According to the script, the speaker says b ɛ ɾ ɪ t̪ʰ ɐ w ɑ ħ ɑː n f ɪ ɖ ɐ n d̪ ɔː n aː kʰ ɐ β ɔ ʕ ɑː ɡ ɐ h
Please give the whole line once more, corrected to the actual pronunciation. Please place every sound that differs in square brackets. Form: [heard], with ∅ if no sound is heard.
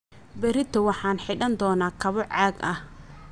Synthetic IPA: b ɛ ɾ ɪ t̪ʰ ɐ w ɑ ħ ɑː n [ħ] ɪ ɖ ɐ n d̪ ɔː n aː kʰ ɐ β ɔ ʕ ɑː ɡ ɐ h